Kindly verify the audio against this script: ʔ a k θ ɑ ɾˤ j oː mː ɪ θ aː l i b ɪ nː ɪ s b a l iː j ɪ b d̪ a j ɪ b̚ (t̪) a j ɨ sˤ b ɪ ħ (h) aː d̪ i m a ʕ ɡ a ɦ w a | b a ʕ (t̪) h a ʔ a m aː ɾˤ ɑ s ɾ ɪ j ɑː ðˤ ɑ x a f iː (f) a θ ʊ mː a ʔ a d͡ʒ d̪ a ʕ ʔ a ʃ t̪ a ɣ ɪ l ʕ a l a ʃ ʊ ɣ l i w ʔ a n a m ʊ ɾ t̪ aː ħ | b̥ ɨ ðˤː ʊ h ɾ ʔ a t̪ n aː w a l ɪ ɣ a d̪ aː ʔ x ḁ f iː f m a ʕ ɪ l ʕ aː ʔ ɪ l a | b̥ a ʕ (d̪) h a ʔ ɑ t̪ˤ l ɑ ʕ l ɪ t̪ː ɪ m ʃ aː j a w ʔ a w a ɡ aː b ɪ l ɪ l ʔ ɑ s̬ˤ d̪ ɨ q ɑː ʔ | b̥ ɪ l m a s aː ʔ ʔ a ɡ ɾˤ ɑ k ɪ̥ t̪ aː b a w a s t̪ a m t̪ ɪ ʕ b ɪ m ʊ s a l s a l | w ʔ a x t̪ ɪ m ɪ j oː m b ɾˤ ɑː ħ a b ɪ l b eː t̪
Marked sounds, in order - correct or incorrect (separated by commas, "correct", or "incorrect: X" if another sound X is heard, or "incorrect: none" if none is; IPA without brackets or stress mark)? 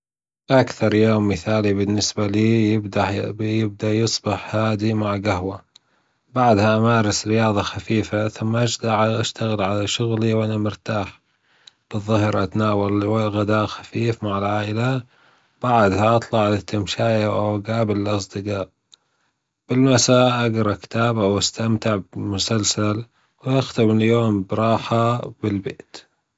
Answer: incorrect: d̪, correct, incorrect: d̪, correct, correct